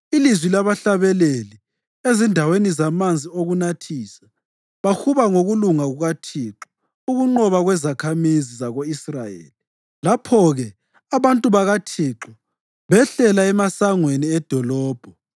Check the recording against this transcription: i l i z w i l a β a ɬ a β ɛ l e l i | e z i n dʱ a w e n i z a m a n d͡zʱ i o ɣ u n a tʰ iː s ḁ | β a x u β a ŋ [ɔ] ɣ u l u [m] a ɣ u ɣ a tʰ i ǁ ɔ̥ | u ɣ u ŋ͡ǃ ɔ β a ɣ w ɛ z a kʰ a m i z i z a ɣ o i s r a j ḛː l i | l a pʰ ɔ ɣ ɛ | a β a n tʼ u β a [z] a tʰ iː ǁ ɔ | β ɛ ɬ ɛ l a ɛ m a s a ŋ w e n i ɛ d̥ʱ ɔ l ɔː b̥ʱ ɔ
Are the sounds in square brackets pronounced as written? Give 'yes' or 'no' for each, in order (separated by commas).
no, no, no